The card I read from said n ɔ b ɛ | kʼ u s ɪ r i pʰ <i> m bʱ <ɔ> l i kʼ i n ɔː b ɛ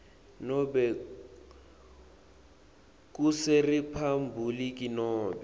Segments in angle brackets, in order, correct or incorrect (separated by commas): incorrect, incorrect